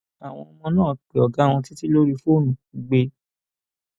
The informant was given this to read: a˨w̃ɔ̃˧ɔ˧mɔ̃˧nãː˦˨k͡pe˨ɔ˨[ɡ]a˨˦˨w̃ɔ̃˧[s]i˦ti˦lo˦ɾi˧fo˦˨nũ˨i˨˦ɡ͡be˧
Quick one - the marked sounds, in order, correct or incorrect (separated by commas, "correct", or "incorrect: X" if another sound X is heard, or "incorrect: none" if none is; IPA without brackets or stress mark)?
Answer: correct, incorrect: t